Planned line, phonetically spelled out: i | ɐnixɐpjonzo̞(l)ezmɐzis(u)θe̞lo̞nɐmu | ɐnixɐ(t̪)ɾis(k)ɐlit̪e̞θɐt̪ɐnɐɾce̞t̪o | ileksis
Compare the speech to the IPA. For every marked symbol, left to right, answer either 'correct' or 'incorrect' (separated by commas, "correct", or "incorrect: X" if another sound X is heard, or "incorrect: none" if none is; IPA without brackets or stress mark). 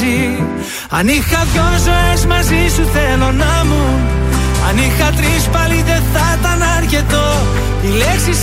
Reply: incorrect: none, correct, correct, incorrect: p